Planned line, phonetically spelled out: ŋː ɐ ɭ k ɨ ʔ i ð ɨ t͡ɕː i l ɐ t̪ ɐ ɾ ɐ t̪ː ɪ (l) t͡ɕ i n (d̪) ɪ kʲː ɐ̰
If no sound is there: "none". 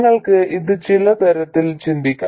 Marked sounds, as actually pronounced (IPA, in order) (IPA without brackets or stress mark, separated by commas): l, d̪